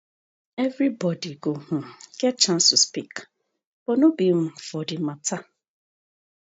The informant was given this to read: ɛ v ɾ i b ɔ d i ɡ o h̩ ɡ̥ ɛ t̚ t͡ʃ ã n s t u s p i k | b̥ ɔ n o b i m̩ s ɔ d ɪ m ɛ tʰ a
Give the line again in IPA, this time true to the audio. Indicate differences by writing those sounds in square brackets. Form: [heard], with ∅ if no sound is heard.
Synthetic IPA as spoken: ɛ v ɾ i b ɔ d i ɡ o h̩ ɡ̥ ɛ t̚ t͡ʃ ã n s t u s p i k | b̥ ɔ n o b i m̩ [f] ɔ d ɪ m [a] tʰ a